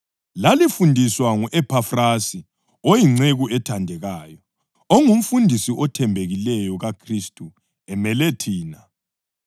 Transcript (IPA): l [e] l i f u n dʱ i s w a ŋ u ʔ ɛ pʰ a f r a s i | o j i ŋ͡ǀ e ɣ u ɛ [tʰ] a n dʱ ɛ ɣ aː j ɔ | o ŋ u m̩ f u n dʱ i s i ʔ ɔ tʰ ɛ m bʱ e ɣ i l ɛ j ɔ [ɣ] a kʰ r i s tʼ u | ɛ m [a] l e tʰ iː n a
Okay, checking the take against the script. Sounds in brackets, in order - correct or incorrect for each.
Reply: incorrect: a, correct, correct, incorrect: ɛ

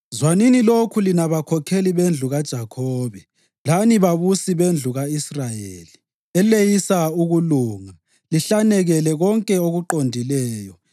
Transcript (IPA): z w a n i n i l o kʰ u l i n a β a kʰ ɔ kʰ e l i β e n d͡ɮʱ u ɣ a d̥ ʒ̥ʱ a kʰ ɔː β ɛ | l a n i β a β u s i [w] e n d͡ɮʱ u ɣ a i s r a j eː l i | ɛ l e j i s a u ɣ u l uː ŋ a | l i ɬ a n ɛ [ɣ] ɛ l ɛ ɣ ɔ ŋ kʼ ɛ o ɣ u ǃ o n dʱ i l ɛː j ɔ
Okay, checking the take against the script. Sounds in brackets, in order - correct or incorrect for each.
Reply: incorrect: β, correct

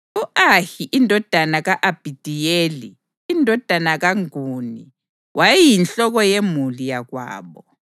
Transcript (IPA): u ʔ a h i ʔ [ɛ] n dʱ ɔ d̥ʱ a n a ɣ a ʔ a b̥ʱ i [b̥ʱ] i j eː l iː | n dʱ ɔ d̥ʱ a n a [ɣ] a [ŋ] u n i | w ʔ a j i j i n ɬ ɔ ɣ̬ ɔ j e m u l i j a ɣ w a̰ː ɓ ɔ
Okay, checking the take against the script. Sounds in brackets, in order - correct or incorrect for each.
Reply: incorrect: i, incorrect: d̥ʱ, correct, correct

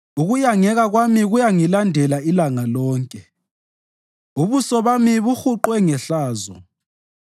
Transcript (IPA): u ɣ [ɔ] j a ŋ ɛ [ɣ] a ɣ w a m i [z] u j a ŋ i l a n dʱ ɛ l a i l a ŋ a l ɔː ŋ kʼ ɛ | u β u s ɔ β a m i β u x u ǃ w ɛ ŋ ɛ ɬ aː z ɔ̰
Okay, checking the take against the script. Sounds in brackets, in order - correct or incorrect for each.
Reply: incorrect: u, correct, incorrect: ɣ

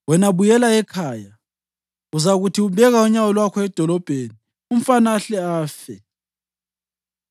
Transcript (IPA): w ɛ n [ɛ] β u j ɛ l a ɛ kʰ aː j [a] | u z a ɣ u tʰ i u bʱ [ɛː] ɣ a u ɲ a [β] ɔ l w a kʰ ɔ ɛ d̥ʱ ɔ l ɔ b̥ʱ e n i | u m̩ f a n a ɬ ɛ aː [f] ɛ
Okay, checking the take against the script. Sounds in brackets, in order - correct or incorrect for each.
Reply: incorrect: a, correct, incorrect: ɛ, incorrect: w, correct

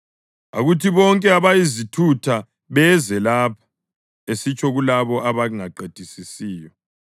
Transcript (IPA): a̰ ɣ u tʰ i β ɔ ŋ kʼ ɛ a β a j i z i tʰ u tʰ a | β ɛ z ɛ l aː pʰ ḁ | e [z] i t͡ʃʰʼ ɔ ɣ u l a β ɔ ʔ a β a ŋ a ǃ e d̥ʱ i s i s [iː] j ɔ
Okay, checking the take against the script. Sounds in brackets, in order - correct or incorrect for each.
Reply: incorrect: s, correct

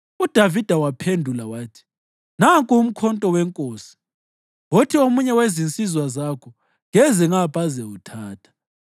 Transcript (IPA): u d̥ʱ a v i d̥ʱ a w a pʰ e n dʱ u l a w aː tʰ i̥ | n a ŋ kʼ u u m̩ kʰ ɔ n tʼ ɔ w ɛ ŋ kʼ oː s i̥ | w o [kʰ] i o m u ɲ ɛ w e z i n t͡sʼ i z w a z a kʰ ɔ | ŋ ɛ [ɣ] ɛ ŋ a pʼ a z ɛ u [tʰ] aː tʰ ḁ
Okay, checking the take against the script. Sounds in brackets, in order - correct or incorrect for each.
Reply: incorrect: tʰ, incorrect: z, correct

